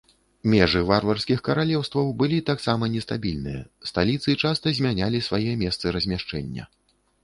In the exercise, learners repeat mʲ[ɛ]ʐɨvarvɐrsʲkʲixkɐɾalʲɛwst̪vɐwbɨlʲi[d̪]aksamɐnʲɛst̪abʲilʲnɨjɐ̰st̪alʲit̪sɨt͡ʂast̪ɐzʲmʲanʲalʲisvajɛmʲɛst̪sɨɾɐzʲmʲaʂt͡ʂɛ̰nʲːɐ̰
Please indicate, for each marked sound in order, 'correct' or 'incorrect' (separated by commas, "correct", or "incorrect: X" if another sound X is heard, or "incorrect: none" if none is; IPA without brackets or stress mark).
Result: correct, incorrect: t̪